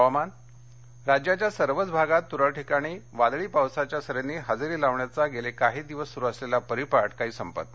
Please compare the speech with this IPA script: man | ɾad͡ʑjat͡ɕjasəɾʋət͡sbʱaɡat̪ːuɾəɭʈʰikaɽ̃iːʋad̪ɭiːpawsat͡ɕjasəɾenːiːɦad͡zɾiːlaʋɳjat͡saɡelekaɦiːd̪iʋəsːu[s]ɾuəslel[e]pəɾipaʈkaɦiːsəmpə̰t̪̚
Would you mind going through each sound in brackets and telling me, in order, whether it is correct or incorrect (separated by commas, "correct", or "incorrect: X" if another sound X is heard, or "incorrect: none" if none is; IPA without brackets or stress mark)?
incorrect: none, incorrect: a